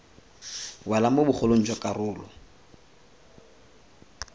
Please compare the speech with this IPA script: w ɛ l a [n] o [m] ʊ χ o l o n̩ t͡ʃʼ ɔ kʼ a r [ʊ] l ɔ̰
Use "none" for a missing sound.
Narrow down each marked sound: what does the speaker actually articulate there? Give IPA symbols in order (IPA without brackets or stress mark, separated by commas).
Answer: m, b, ʊː